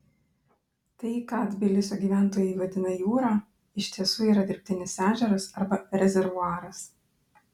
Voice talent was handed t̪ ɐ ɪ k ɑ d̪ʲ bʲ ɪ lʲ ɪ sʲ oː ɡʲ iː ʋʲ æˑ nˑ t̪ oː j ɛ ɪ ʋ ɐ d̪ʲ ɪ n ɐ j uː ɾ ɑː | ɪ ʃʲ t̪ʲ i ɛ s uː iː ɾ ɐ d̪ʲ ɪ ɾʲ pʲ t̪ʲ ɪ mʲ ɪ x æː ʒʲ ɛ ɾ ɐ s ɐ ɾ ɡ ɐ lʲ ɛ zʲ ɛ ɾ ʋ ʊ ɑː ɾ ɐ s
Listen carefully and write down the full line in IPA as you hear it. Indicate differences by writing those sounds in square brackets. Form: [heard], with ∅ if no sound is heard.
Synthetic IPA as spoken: t̪ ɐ ɪ k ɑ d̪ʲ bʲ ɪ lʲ ɪ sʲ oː ɡʲ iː ʋʲ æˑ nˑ t̪ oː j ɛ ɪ ʋ ɐ d̪ʲ ɪ n ɐ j uː ɾ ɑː | ɪ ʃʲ t̪ʲ i ɛ s uː iː ɾ ɐ d̪ʲ ɪ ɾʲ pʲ t̪ʲ ɪ [nʲ] ɪ [s] æː ʒʲ ɛ ɾ ɐ s ɐ ɾ [b] ɐ [ɾʲ] ɛ zʲ ɛ ɾ ʋ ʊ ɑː ɾ ɐ s

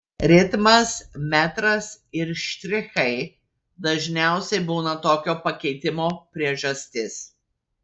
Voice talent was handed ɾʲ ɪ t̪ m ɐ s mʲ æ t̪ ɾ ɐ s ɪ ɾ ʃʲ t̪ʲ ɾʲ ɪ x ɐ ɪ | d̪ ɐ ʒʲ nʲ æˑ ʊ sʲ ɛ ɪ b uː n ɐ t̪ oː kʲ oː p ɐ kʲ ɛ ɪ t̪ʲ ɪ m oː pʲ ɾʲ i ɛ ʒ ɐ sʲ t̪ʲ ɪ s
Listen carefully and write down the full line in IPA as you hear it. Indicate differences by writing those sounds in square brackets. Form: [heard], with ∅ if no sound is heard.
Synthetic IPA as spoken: ɾʲ ɪ t̪ m ɐ s mʲ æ t̪ ɾ ɐ s ɪ ɾ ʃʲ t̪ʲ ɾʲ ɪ x ɐ ɪ | d̪ ɐ ʒʲ nʲ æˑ ʊ sʲ ɛ ɪ b uː n ɐ t̪ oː kʲ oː p ɐ kʲ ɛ ɪ t̪ʲ ɪ m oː pʲ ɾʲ i ɛ ʒ ɐ sʲ t̪ʲ ɪ s

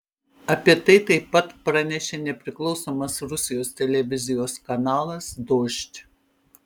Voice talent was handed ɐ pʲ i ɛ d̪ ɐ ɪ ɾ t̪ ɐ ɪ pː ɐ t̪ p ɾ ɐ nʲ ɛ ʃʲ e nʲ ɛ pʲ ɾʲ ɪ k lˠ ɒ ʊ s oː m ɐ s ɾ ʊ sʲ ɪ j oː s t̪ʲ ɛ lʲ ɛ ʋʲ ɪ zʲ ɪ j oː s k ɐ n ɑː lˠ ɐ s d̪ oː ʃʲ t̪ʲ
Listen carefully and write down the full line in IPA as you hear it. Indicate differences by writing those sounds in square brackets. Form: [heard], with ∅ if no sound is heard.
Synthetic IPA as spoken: ɐ pʲ i ɛ [t̪] ɐ ɪ [∅] t̪ ɐ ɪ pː ɐ t̪ p ɾ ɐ nʲ ɛ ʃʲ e nʲ ɛ pʲ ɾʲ ɪ k lˠ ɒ ʊ s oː m ɐ s ɾ ʊ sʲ ɪ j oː s t̪ʲ ɛ lʲ ɛ ʋʲ ɪ zʲ ɪ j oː s k ɐ n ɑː lˠ ɐ s d̪ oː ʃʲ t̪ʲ

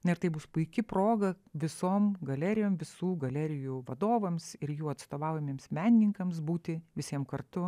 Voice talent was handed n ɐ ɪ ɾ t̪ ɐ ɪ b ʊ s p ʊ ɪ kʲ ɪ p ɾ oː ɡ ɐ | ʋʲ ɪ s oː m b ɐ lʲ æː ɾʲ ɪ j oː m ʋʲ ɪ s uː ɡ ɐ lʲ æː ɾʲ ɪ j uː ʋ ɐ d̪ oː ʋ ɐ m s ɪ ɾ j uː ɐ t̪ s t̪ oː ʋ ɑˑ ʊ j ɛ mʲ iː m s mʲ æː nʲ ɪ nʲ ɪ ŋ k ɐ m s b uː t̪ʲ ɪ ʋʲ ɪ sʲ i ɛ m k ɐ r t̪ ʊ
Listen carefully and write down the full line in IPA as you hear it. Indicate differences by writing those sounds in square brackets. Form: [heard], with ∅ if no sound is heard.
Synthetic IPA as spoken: n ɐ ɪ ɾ t̪ ɐ ɪ b ʊ s p ʊ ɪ kʲ ɪ p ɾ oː ɡ ɐ | ʋʲ ɪ s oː m [ɡ] ɐ lʲ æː ɾʲ ɪ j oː m ʋʲ ɪ s uː ɡ ɐ lʲ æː ɾʲ ɪ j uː ʋ ɐ d̪ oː ʋ ɐ m s ɪ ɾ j uː ɐ t̪ s t̪ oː ʋ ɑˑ ʊ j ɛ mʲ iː m s mʲ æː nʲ ɪ nʲ ɪ ŋ k ɐ m s b uː t̪ʲ ɪ ʋʲ ɪ sʲ i ɛ m k ɐ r t̪ ʊ

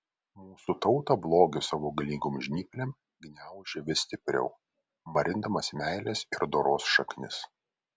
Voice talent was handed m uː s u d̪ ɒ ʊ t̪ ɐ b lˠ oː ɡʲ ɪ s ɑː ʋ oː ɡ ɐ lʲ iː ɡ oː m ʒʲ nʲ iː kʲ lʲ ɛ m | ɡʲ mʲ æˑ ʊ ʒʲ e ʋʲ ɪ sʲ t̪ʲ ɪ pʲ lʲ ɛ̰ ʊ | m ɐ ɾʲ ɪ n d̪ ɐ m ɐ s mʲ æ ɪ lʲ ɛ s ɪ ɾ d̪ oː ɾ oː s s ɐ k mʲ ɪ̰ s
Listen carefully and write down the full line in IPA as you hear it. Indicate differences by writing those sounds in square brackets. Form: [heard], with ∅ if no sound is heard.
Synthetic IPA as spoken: m uː s u [t̪] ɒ ʊ t̪ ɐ b lˠ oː ɡʲ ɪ s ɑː ʋ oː ɡ ɐ lʲ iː ɡ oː m ʒʲ nʲ iː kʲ lʲ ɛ m | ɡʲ [nʲ] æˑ ʊ ʒʲ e ʋʲ ɪ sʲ t̪ʲ ɪ pʲ [ɾʲ] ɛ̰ ʊ | m ɐ ɾʲ ɪ n d̪ ɐ m ɐ s mʲ æ ɪ lʲ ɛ s ɪ ɾ d̪ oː ɾ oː s [ʃ] ɐ k [nʲ] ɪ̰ s

